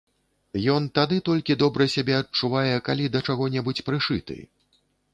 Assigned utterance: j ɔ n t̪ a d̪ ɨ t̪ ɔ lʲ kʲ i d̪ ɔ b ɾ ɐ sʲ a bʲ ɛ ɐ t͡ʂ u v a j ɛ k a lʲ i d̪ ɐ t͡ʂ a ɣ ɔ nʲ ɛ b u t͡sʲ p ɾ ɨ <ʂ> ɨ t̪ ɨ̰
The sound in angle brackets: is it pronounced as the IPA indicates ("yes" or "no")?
yes